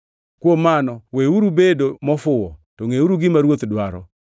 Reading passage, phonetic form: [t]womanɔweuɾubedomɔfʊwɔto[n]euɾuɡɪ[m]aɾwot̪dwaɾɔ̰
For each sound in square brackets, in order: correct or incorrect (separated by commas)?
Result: incorrect, incorrect, correct